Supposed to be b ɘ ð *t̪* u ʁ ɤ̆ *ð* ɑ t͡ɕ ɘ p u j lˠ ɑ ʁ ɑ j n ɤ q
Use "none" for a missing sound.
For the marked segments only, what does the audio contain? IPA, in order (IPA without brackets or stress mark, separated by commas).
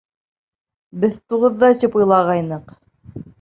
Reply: t̪, ðː